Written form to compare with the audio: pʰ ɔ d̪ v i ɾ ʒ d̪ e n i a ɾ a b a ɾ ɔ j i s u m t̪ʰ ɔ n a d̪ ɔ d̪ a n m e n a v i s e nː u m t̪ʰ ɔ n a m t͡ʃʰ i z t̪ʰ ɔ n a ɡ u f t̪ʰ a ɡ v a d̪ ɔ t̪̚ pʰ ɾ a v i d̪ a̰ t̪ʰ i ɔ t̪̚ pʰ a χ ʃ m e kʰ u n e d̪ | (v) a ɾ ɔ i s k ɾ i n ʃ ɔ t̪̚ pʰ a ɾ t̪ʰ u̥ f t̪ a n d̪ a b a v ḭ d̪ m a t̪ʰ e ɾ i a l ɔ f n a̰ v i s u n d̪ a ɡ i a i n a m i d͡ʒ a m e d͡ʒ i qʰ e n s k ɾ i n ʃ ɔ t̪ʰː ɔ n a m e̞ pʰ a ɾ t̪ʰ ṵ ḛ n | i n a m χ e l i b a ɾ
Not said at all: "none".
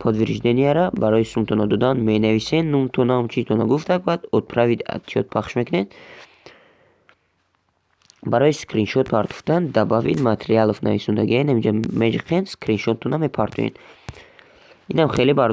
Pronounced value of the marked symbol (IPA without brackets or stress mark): b